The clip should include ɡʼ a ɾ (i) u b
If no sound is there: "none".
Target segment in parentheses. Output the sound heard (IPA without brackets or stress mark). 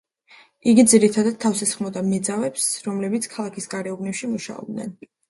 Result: ɛ